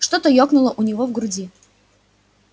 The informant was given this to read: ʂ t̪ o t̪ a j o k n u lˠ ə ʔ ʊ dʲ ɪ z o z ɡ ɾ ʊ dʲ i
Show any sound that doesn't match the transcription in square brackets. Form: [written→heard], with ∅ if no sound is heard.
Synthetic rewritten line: ʂ t̪ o t̪ [a→ə] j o k n [u→ʊ] lˠ ə ʔ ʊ [dʲ→nʲ] ɪ [z→v] o [z→v] ɡ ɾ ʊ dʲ i